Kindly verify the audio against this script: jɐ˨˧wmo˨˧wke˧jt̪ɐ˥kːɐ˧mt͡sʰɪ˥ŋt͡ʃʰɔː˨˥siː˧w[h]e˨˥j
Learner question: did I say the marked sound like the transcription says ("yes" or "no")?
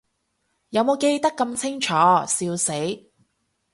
no